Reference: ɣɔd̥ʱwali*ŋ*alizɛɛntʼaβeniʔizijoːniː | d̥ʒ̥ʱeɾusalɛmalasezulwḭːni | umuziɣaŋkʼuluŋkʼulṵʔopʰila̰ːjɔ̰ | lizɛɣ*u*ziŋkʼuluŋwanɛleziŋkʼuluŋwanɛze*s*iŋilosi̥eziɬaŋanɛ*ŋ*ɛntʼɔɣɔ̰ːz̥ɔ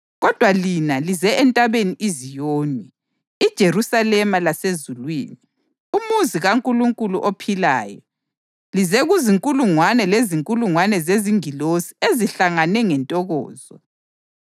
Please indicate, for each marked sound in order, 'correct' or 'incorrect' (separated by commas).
incorrect, correct, incorrect, correct